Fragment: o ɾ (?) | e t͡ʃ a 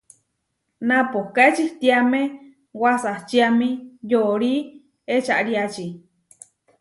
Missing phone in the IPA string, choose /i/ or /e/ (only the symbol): i